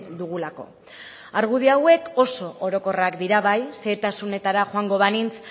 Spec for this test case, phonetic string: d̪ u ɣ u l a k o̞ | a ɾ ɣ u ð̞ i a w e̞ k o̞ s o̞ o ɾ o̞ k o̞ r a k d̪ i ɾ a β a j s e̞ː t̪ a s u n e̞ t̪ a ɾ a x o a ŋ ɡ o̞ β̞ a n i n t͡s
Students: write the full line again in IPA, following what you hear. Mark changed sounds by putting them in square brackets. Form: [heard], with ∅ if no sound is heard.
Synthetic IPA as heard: d̪ u ɣ u l a k o̞ | a ɾ ɣ u ð̞ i a w e̞ k o̞ s o̞ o ɾ o̞ k o̞ r a k d̪ i ɾ a β a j s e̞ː t̪ a s u n e̞ t̪ a ɾ a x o a ŋ ɡ o̞ β̞ a n i n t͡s